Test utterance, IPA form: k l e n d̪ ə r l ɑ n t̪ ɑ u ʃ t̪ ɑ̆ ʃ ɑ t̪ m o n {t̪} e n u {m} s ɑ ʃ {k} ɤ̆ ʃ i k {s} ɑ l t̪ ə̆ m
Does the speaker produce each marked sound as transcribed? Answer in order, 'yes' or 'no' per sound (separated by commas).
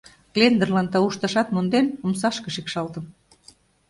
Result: no, yes, yes, no